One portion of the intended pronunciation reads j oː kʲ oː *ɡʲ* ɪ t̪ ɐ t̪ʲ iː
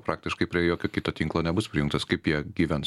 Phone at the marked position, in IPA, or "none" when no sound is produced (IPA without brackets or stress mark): kʲ